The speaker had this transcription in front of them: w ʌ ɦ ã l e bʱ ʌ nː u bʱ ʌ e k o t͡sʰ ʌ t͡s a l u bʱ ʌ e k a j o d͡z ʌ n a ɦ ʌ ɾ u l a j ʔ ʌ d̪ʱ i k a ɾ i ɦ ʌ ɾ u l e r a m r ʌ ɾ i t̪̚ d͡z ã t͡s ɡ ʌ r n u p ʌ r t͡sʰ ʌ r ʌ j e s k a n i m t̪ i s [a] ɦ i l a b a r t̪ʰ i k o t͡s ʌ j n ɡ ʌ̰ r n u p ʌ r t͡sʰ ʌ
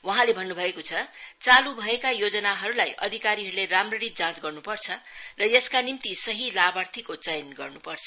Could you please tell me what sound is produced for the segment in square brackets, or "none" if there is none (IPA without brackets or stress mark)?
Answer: ʌ